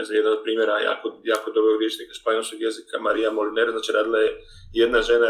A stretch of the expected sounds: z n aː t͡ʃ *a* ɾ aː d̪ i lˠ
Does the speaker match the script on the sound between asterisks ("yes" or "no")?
no